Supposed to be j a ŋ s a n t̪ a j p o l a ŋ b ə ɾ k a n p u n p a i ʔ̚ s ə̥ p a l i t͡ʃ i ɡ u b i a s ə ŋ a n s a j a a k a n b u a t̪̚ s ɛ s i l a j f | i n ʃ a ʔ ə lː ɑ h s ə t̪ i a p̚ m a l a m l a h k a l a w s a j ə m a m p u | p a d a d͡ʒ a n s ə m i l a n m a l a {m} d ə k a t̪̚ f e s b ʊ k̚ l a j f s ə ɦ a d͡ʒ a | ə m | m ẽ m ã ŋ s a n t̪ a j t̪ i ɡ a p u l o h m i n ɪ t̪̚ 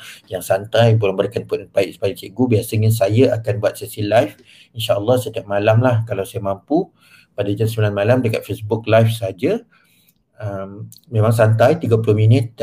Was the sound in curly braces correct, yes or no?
yes